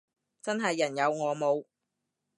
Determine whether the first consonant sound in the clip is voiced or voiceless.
voiceless